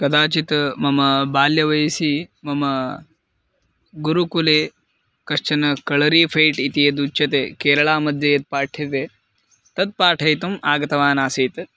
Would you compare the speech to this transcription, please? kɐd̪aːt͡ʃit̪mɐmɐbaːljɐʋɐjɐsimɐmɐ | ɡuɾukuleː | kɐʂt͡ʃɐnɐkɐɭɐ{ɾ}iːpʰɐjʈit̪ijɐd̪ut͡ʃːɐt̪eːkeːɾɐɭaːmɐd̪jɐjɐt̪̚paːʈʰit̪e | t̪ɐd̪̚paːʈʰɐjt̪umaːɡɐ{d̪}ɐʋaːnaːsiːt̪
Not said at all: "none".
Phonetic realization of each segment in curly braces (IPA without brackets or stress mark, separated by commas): ɾ, t̪